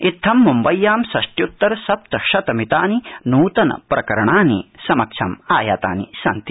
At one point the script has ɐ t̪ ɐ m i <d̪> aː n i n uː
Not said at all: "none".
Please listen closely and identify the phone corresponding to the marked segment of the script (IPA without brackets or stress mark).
t̪